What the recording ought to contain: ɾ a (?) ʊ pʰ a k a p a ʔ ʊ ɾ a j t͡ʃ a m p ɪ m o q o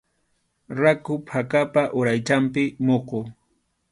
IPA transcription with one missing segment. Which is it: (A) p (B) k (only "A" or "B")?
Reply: B